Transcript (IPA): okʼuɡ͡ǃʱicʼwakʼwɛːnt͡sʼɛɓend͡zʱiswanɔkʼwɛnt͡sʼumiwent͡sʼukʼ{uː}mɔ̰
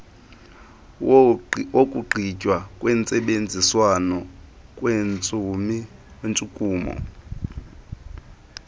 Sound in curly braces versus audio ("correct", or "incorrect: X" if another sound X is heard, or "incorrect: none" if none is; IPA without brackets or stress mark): correct